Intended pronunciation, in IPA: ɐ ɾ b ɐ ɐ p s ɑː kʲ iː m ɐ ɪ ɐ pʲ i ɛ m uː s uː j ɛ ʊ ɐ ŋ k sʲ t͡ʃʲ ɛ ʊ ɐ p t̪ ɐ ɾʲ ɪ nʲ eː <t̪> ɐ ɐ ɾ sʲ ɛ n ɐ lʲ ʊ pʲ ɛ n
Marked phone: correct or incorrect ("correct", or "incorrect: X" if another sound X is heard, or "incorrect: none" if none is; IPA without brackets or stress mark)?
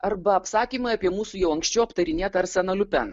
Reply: correct